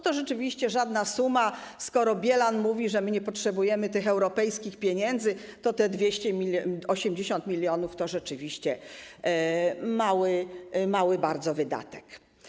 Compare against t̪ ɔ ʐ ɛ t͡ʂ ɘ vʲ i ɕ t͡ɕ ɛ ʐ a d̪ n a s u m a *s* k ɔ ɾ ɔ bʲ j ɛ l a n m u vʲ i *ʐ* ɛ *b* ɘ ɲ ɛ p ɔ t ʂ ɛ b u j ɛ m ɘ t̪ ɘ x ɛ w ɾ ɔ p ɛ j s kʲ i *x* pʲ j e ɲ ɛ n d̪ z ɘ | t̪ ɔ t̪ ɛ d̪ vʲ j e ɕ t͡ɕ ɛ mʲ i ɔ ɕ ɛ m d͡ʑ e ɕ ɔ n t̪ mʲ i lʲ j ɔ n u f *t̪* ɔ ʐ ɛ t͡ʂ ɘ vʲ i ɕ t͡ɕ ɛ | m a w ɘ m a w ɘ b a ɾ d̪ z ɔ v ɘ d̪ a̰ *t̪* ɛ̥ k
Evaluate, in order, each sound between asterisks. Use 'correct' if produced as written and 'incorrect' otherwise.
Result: correct, correct, incorrect, correct, correct, correct

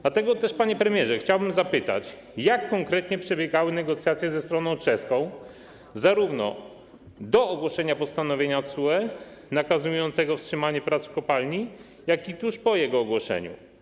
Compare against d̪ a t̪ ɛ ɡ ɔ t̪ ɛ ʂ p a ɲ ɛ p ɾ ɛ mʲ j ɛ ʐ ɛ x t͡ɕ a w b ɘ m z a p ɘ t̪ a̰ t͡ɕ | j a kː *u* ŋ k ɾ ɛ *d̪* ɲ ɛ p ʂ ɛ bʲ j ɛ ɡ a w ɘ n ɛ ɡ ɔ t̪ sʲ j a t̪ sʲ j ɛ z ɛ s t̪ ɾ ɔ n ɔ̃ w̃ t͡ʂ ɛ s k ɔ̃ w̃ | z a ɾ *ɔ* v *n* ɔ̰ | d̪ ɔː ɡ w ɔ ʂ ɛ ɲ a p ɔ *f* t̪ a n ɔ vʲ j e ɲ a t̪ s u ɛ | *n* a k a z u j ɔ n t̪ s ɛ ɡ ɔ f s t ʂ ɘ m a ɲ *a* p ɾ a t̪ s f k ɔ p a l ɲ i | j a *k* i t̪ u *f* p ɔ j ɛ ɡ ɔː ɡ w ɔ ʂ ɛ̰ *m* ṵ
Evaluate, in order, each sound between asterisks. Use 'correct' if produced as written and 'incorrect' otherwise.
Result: incorrect, incorrect, incorrect, correct, incorrect, correct, incorrect, correct, incorrect, incorrect

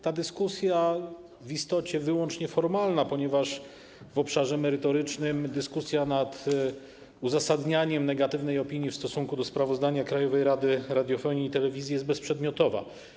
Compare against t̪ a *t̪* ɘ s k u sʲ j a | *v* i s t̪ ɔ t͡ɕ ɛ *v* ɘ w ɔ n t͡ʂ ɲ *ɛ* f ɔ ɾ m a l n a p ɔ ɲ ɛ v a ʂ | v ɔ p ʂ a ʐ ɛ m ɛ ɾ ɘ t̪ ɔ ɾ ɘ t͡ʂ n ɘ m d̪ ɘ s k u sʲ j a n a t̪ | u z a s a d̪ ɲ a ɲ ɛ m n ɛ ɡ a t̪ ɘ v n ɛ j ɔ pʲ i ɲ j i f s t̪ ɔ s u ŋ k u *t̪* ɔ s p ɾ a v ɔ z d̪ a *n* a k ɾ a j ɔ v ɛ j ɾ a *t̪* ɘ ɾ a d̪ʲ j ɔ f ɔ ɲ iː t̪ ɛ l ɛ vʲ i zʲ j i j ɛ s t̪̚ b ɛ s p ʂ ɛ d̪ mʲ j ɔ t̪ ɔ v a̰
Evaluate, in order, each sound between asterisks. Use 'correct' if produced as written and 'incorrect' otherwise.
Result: incorrect, correct, correct, correct, incorrect, incorrect, incorrect

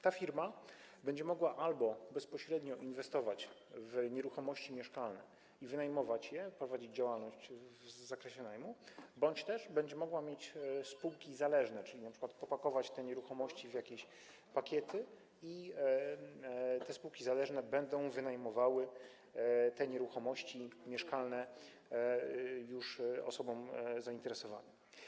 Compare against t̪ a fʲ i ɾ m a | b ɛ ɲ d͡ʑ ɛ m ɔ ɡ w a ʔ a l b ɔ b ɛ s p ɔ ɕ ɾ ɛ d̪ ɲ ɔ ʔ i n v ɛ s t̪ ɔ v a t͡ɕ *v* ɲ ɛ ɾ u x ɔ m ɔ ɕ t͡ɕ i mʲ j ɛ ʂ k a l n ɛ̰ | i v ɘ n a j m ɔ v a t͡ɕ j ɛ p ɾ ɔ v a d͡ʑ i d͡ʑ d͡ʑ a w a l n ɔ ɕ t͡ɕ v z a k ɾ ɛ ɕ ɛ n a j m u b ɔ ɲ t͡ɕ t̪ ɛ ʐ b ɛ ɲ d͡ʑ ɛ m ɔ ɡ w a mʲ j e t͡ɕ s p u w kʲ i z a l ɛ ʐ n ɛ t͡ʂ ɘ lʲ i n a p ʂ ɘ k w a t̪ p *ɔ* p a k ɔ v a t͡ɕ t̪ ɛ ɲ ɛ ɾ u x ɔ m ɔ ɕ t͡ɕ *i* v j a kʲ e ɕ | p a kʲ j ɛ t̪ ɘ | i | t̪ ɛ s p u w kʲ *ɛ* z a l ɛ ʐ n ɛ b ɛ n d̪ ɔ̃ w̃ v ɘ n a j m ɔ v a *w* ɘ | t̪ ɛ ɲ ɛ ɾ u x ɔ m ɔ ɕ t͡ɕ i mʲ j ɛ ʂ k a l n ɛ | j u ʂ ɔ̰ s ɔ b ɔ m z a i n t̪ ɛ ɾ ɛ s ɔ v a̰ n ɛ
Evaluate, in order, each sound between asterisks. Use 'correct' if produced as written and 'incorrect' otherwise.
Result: correct, correct, correct, incorrect, correct

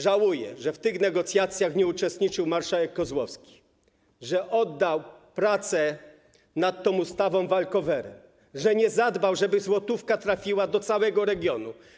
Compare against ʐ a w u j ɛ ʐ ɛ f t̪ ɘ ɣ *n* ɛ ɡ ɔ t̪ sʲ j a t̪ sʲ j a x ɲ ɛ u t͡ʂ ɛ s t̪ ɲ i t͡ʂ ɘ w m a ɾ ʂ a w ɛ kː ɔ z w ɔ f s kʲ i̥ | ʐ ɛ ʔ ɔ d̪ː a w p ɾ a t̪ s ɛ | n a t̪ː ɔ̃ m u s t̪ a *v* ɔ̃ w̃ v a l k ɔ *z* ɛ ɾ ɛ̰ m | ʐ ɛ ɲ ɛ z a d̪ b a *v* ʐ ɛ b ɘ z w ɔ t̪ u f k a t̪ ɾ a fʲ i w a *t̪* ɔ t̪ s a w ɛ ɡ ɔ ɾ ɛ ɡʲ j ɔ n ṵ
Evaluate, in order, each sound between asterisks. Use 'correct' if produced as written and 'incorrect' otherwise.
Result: correct, correct, incorrect, incorrect, incorrect

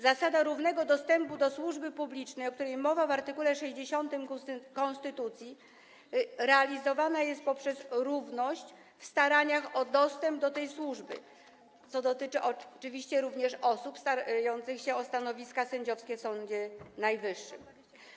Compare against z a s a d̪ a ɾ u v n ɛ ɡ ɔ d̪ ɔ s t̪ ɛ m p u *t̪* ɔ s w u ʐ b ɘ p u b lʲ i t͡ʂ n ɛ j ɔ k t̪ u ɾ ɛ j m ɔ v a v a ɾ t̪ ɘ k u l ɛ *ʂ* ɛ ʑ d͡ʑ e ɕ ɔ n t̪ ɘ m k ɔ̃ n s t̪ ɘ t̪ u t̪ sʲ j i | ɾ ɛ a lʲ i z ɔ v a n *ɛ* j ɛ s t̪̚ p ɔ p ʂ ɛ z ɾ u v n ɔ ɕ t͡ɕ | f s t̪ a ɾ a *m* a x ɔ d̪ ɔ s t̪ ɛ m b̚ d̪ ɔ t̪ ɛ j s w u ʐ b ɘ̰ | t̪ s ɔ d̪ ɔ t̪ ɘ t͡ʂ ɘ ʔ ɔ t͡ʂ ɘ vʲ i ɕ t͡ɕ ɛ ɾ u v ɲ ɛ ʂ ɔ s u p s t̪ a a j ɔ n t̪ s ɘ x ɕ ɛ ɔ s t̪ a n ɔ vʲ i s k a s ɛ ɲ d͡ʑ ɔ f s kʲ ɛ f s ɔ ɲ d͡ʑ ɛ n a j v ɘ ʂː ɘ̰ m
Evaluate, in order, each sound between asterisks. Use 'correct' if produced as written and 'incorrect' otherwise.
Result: incorrect, correct, incorrect, incorrect

